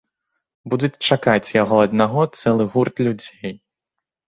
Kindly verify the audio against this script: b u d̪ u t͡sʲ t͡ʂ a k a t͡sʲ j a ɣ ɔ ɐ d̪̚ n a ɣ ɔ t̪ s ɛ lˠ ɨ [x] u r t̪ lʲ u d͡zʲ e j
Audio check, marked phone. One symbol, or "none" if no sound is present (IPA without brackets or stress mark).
ɣ